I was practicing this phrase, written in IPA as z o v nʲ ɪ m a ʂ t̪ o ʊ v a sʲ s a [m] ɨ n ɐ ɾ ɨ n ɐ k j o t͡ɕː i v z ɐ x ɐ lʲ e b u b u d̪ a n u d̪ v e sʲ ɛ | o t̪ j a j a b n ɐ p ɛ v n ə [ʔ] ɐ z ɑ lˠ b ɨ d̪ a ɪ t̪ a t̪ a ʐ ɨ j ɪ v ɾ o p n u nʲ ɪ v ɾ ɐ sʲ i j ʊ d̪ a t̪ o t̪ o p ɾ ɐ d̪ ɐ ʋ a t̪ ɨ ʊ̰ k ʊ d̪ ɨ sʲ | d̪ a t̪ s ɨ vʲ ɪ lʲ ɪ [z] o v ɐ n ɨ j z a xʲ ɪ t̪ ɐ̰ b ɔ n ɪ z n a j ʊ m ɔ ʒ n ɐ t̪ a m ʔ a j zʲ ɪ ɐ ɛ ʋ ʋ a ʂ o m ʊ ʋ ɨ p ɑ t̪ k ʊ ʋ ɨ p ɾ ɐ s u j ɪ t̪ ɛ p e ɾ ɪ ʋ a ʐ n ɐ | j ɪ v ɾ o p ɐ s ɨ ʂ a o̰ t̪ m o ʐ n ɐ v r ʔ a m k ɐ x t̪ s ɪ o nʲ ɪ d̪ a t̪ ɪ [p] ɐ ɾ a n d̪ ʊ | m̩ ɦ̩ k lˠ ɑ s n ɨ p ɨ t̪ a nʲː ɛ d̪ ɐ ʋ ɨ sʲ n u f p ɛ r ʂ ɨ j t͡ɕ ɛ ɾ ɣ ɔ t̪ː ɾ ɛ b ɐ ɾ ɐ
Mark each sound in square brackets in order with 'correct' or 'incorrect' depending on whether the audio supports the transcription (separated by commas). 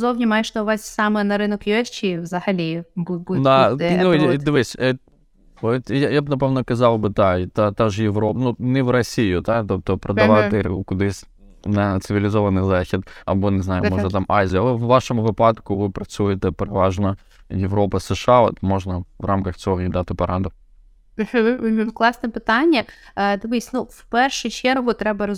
correct, incorrect, correct, correct